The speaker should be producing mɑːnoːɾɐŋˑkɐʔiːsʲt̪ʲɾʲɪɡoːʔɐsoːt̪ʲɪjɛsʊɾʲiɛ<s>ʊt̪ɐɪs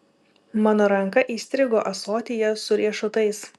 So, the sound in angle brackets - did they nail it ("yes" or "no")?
no